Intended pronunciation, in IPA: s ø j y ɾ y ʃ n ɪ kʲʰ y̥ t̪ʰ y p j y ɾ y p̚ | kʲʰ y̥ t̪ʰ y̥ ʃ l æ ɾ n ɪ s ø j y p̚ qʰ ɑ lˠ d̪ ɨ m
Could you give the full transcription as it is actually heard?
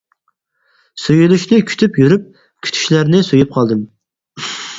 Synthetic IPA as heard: s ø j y l y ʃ n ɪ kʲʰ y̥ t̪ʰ y p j y ɾ y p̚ | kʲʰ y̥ t̪ʰ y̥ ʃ l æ ɾ n ɪ s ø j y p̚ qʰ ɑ lˠ d̪ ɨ m